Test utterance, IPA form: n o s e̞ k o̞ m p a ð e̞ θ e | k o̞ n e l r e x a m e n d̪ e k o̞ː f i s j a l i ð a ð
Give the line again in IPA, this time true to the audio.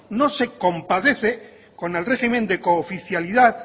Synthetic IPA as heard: n o s e̞ k o̞ m p a ð e̞ θ e | k o̞ n e l r e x i m e n d̪ e k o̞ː f i θ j a l i ð a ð